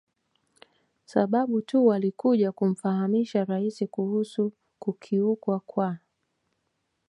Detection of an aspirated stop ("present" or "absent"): present